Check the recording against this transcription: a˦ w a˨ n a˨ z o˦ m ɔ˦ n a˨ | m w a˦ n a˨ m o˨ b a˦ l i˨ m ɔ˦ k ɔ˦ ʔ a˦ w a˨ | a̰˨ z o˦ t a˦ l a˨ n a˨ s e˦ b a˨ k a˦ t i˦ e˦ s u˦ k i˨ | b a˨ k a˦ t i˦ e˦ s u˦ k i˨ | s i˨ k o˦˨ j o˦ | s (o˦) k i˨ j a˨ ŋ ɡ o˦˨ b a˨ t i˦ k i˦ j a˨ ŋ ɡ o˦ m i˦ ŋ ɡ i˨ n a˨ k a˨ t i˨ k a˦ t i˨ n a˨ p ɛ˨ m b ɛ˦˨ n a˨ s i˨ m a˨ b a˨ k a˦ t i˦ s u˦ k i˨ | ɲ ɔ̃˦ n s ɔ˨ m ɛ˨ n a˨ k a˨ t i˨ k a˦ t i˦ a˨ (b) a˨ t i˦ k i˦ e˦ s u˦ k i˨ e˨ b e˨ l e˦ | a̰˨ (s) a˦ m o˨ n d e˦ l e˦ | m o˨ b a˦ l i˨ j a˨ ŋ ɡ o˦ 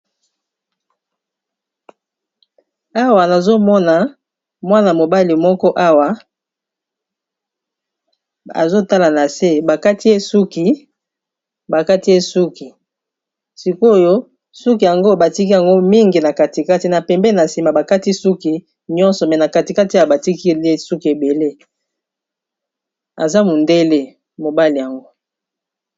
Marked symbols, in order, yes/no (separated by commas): no, yes, no